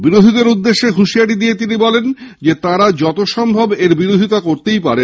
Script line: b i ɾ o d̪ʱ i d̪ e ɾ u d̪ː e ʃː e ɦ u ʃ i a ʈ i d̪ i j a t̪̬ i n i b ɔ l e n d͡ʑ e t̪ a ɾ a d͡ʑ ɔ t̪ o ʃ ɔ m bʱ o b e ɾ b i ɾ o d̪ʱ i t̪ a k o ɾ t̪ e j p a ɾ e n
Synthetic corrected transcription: b i ɾ o d̪ʱ i d̪ e ɾ u d̪ː e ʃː e ɦ u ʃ i a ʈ i d̪ i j e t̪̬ i n i b ɔ l e n d͡ʑ e t̪ a ɾ a d͡ʑ ɔ t̪ o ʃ ɔ m bʱ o b e ɾ b i ɾ o d̪ʱ i t̪ a k o ɾ t̪ e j p a ɾ e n